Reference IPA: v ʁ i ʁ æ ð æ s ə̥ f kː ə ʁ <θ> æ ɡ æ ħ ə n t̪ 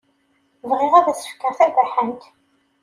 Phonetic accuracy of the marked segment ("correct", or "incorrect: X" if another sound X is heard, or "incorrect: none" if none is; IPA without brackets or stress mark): correct